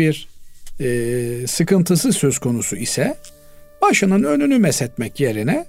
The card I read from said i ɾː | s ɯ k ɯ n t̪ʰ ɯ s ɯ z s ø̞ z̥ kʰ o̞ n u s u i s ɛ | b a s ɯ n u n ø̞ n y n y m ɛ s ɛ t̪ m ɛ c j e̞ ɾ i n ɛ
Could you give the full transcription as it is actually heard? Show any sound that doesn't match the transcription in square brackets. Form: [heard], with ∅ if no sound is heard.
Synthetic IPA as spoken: i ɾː | s ɯ k ɯ n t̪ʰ ɯ s ɯ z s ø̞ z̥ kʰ o̞ n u s u i s ɛ | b a [ʃ] ɯ n [ɯ] n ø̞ n y n y m ɛ s ɛ t̪ m ɛ c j e̞ ɾ i n ɛ